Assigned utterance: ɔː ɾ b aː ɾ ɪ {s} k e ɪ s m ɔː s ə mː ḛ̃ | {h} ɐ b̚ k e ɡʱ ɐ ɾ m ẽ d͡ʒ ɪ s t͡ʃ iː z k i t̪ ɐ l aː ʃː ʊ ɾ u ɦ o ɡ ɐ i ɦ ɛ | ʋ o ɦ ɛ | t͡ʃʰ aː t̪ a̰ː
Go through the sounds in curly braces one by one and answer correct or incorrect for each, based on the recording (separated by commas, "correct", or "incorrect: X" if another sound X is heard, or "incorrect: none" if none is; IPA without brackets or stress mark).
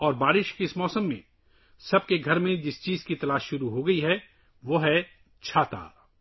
incorrect: ʃ, incorrect: s